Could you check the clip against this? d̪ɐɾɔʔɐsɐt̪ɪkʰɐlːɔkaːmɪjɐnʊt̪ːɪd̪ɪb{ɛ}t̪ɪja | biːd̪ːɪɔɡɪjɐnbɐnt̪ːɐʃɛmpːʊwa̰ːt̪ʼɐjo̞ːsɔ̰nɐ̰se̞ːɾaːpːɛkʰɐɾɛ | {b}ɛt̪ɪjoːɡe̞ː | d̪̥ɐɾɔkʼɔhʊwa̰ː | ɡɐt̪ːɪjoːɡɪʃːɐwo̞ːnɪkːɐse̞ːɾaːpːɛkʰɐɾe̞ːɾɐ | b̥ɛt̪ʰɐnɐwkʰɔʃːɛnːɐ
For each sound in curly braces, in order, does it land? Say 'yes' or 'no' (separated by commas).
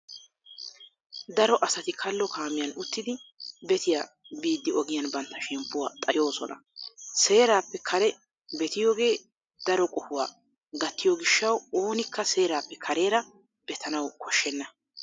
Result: yes, yes